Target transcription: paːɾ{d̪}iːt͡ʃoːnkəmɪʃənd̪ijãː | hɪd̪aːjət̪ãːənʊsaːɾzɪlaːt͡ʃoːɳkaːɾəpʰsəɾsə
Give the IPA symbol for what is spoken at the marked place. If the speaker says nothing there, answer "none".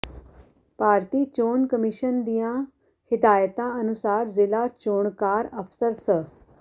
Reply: t̪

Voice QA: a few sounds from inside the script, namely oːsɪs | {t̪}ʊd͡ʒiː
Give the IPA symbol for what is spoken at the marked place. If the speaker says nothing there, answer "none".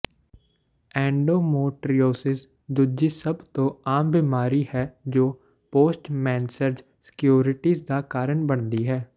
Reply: d̪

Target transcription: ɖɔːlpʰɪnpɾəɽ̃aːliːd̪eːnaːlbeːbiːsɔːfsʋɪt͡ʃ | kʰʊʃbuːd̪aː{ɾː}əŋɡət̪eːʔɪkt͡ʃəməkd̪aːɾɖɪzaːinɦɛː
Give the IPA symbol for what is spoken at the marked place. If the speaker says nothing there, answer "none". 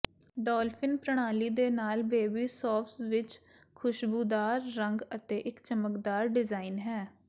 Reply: ɾː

